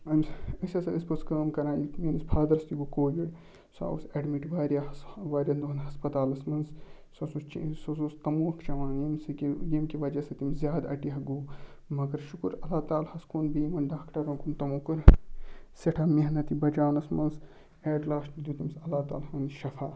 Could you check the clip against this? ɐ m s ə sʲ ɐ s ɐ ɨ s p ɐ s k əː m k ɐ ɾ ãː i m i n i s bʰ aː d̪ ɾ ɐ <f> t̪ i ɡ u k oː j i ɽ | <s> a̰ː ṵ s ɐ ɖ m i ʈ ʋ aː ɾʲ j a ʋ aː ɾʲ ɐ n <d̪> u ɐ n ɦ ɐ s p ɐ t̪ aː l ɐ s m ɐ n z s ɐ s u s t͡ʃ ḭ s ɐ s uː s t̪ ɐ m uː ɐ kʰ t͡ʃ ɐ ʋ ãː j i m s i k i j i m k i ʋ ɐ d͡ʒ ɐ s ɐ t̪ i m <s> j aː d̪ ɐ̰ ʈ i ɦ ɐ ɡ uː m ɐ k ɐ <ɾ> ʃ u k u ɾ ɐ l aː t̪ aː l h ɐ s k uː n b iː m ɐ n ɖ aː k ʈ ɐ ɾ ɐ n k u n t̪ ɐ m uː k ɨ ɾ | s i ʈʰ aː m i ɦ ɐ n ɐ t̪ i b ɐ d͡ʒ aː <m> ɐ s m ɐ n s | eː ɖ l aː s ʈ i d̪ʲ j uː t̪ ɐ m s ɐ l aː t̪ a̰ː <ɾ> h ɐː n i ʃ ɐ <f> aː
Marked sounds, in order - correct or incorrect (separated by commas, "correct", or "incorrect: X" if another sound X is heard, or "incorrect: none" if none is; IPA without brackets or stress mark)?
incorrect: s, correct, correct, incorrect: z, correct, incorrect: n, incorrect: l, correct